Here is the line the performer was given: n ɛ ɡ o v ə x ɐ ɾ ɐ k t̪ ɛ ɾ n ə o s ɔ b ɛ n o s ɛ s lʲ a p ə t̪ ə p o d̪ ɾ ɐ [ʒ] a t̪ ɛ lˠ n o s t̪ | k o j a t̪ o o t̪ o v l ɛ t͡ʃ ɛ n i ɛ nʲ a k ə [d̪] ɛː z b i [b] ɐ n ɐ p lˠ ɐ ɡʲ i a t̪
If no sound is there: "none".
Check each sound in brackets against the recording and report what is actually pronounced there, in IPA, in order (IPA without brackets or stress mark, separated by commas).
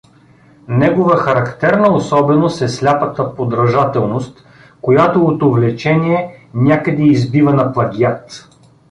ʒ, d̪, v